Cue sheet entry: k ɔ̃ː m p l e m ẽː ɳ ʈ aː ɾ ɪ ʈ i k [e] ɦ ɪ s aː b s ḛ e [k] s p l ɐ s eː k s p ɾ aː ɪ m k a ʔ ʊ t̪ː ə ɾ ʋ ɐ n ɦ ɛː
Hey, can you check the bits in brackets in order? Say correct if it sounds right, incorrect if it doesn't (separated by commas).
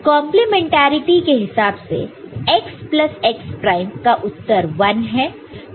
correct, correct